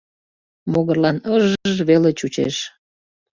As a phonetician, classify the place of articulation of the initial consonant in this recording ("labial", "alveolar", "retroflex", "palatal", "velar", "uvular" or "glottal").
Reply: labial